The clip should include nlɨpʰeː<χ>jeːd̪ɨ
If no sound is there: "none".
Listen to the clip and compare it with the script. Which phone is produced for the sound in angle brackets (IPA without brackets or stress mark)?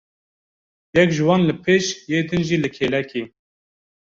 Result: ʃ